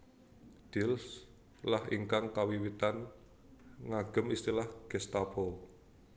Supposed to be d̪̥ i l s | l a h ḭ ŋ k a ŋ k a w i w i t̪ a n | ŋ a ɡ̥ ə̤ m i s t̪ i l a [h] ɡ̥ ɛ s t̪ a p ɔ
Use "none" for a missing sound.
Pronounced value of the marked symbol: h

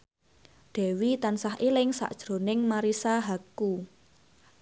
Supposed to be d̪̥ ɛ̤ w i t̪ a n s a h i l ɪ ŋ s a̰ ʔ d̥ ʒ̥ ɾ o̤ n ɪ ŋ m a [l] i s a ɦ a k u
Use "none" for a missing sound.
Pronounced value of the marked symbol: ɾ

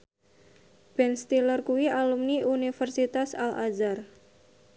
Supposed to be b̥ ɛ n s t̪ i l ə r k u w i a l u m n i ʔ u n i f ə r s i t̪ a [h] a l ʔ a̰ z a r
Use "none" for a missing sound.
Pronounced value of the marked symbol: s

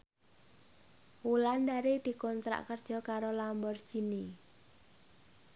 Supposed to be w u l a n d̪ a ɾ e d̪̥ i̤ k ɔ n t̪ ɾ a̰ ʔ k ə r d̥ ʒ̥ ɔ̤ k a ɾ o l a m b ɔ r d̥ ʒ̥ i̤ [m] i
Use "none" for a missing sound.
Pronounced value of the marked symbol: n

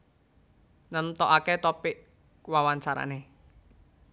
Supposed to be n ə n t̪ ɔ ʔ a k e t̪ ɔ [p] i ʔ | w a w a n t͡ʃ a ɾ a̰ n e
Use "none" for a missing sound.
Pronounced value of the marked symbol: p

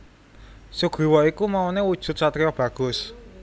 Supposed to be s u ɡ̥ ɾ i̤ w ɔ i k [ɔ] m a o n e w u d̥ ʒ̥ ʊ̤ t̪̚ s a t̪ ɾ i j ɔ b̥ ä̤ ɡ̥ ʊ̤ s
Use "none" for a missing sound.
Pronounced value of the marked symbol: u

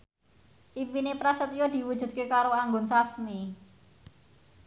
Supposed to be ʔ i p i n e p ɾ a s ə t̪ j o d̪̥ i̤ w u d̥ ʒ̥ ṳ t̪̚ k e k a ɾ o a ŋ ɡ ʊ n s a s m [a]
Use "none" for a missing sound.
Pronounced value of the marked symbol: i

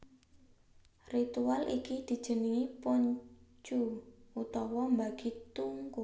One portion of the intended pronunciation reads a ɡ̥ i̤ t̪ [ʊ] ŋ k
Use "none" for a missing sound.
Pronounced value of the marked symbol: u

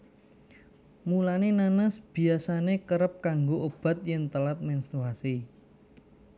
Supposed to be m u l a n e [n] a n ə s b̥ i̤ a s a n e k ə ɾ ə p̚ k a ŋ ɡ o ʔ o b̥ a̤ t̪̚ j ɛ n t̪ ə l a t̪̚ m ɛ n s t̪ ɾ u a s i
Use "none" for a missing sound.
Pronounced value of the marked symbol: n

